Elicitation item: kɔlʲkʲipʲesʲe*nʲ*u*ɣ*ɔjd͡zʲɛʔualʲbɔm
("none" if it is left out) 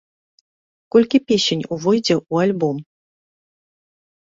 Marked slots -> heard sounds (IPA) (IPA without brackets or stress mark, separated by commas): nʲ, v